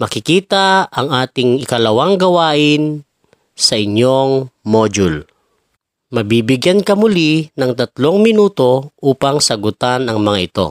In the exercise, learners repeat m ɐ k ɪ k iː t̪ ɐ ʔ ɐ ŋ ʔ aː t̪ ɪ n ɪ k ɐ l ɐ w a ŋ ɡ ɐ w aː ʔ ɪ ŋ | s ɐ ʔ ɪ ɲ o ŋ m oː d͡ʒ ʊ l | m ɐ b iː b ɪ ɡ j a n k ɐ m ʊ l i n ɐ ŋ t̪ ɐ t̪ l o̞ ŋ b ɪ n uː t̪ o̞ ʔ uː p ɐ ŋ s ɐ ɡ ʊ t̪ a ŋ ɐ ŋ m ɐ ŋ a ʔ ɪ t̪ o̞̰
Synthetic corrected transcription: m ɐ k ɪ k iː t̪ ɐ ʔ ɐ ŋ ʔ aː t̪ ɪ ŋ ɪ k ɐ l ɐ w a ŋ ɡ ɐ w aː ʔ ɪ n | s ɐ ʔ ɪ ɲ o ŋ m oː d͡ʒ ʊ l | m ɐ b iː b ɪ ɡ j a n k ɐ m ʊ l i n ɐ ŋ t̪ ɐ t̪ l o̞ ŋ m ɪ n uː t̪ o̞ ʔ uː p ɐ ŋ s ɐ ɡ ʊ t̪ a n ɐ ŋ m ɐ ŋ a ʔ ɪ t̪ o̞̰